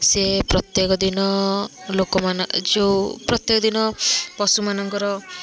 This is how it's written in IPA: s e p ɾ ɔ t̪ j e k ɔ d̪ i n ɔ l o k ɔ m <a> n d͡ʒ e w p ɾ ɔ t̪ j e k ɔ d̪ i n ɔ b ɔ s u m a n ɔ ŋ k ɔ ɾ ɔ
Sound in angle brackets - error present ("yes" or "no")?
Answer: no